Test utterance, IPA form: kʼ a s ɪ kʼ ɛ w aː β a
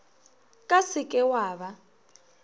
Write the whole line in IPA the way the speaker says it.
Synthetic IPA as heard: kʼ a s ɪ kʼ ɛ w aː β a